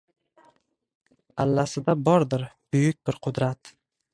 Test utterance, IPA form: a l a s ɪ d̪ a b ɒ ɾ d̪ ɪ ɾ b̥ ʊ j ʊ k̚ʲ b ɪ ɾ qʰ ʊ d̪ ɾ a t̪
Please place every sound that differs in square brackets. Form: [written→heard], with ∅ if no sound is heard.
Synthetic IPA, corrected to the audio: a [l→lː] a s ɪ d̪ a b ɒ ɾ d̪ ɪ ɾ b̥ ʊ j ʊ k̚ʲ b ɪ ɾ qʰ ʊ d̪ ɾ a t̪